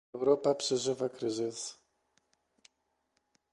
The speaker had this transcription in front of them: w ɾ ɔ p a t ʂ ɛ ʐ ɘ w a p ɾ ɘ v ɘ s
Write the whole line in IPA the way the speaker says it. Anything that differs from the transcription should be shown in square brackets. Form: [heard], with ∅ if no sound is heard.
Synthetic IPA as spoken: w ɾ ɔ p a [p] ʂ ɛ ʐ ɘ [v] a [k] ɾ ɘ [z] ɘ s